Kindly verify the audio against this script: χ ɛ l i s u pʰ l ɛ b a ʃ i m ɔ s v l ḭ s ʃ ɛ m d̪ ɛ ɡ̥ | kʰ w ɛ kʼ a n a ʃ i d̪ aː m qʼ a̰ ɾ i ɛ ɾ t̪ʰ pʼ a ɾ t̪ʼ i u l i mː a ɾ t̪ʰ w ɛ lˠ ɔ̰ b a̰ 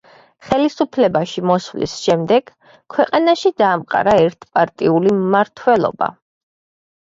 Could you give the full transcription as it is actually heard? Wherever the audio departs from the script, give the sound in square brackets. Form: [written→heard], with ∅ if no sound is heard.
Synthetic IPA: χ ɛ l i s u pʰ l ɛ b a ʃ i m ɔ s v l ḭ s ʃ ɛ m d̪ ɛ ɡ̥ | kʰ w ɛ [kʼ→qʼ] a n a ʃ i d̪ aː m qʼ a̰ ɾ [i→a] ɛ ɾ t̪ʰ pʼ a ɾ t̪ʼ i u l i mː a ɾ t̪ʰ w ɛ lˠ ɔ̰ b a̰